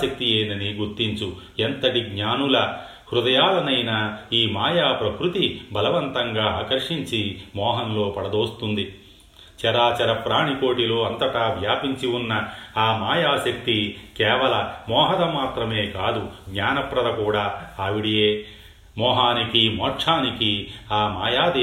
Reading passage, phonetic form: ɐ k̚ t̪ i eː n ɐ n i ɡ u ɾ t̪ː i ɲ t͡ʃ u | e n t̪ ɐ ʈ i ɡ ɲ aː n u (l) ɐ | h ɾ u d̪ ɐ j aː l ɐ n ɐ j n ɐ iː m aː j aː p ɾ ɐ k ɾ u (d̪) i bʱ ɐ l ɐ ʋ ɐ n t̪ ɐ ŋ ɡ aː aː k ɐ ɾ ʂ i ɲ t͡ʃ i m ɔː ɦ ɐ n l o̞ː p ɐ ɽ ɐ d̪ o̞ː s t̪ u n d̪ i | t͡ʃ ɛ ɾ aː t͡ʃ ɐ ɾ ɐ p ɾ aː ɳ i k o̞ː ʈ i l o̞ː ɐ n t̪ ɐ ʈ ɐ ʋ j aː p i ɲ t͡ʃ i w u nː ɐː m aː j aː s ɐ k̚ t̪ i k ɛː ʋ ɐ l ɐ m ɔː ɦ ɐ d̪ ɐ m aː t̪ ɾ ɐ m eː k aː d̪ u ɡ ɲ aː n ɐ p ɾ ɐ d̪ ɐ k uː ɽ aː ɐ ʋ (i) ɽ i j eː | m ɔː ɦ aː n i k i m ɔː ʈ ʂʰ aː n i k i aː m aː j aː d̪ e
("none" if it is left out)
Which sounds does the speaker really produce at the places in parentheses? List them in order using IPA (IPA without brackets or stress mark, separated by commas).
l, t̪, i